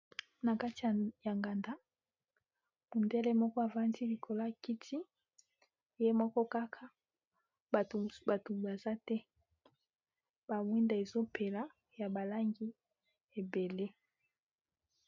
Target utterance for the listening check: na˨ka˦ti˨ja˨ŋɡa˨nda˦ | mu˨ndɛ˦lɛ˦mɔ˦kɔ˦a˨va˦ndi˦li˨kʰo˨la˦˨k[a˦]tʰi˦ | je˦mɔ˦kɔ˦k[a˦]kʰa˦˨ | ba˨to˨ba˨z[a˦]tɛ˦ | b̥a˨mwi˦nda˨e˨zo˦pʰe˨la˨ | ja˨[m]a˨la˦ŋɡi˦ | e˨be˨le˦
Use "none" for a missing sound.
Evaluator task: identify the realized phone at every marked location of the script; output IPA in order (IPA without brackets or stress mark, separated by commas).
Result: i˦, a˦, a˦, b